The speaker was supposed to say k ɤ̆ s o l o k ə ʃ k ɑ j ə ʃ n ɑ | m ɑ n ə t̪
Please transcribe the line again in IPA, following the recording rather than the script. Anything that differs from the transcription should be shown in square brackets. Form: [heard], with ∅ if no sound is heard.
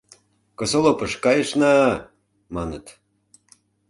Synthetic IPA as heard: k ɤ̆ s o l o [p] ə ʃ k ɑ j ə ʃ n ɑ | m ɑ n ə t̪